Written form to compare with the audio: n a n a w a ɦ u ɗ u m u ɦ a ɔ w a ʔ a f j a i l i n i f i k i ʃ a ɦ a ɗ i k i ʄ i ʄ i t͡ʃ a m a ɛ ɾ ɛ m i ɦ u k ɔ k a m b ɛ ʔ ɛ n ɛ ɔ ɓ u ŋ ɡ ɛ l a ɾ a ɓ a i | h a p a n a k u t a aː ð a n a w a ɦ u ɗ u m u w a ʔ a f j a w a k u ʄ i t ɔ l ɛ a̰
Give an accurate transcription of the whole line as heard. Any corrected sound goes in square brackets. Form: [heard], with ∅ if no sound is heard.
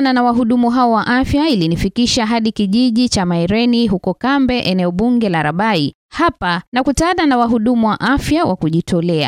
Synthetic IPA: n a n a w a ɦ u ɗ u m u ɦ a ɔ w a ʔ a f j a i l i n i f i k i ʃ a ɦ a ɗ i k i ʄ i ʄ i t͡ʃ a m a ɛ ɾ ɛ [n] i ɦ u k ɔ k a m b ɛ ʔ ɛ n ɛ ɔ ɓ u ŋ ɡ ɛ l a ɾ a ɓ a i | h a p a n a k u t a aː ð a n a w a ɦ u ɗ u m u w a ʔ a f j a w a k u ʄ i t ɔ l ɛ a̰